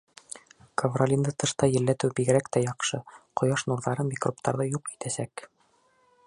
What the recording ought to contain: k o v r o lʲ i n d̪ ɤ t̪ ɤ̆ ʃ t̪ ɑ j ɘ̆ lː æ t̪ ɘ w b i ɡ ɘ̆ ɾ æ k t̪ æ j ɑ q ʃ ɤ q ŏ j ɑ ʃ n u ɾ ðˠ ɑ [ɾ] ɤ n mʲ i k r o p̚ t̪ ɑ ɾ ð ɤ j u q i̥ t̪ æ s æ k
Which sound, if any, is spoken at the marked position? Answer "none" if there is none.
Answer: ɾ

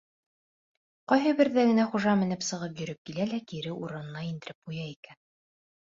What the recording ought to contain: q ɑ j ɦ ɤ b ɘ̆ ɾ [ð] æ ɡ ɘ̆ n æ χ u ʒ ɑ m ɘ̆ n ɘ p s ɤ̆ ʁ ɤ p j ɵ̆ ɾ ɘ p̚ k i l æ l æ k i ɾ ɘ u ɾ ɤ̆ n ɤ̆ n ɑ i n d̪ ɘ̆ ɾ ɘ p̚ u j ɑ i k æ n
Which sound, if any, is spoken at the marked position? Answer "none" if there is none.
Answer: ð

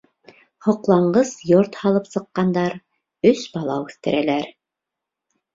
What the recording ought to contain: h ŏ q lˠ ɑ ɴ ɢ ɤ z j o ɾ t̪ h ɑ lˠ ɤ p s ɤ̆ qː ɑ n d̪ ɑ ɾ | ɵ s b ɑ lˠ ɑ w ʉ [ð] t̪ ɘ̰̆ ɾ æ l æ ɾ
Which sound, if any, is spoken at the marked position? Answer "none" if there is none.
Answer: θ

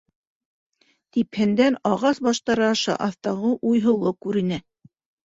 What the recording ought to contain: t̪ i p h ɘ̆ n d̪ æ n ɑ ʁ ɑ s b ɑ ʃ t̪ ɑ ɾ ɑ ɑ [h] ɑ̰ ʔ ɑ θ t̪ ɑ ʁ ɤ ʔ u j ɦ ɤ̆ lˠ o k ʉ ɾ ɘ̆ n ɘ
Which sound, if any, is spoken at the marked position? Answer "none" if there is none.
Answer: ʃ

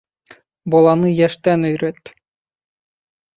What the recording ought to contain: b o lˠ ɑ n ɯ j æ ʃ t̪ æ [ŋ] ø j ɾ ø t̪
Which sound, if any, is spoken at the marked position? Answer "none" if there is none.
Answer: n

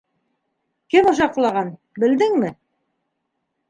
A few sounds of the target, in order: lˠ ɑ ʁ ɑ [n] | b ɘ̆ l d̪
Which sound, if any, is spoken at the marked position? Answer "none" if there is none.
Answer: n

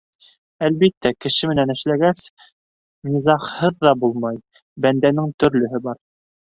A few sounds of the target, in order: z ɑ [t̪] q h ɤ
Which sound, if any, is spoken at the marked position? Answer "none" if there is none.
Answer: none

